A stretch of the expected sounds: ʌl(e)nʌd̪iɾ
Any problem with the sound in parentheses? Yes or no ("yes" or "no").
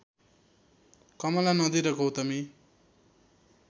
yes